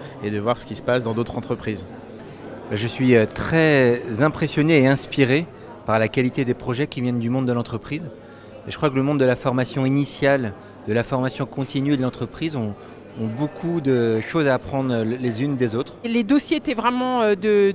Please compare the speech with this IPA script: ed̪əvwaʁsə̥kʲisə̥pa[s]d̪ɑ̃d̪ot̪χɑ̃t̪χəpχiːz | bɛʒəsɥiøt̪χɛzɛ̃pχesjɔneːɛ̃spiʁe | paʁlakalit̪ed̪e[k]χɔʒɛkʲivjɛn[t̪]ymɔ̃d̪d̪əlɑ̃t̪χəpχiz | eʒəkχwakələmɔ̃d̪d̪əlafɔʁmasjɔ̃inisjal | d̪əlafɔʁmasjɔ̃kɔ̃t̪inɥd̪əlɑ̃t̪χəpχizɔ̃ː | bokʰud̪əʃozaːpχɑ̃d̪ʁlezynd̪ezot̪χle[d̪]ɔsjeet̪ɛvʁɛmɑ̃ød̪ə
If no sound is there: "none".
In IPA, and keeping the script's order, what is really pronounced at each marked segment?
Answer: s, p, d̪, d̪

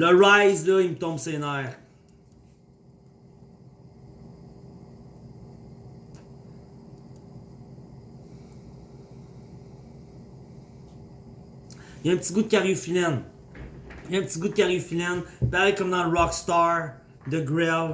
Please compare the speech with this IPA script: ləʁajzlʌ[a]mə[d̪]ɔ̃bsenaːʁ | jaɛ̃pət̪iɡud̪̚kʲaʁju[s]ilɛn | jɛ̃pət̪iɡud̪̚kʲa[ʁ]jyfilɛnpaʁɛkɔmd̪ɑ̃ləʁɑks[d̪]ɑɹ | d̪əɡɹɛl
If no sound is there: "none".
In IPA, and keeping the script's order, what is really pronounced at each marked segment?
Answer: i, t̪, f, ʁ, t̪

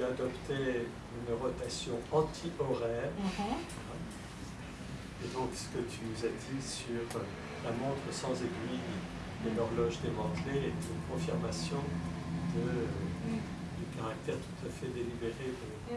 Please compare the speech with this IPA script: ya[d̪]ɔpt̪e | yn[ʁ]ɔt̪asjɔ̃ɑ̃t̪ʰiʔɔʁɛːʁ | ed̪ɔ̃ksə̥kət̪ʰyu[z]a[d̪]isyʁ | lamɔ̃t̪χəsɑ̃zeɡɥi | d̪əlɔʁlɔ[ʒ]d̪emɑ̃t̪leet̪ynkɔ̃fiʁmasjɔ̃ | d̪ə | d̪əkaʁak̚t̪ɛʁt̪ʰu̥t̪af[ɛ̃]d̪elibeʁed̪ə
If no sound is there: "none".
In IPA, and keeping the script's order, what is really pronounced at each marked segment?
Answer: d̪, ʁ, z, d̪, ʒ, ɛ

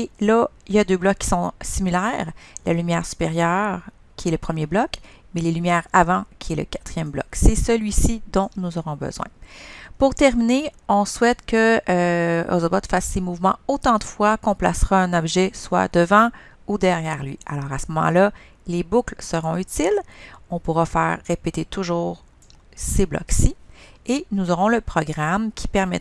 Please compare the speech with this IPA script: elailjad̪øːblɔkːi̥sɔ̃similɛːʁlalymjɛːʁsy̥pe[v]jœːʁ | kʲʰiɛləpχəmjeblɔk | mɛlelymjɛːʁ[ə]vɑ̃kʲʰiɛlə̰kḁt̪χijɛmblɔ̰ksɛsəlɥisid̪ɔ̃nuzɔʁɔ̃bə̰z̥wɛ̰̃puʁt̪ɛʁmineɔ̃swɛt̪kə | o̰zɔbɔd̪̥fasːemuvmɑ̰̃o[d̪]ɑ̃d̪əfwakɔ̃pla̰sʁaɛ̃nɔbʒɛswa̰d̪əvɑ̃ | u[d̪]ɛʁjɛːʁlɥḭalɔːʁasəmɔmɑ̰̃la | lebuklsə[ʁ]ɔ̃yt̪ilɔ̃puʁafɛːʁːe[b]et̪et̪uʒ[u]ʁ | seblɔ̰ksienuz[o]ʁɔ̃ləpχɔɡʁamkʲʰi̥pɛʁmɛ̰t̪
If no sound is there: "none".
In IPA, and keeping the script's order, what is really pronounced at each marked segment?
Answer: ʁ, a, t̪, d̪, ʁ, p, uː, ɔ

